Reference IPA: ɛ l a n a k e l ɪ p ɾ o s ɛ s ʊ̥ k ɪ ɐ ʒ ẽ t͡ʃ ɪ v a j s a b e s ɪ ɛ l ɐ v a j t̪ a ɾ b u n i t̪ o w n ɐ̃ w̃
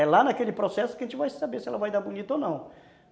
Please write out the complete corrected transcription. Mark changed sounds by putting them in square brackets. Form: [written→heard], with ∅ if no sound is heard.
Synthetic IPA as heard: ɛ l a n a k e l ɪ p ɾ o s ɛ s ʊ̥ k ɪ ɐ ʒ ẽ t͡ʃ ɪ v a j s a b e s ɪ ɛ l ɐ v a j [t̪→d̪] a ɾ b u n i t̪ o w n ɐ̃ w̃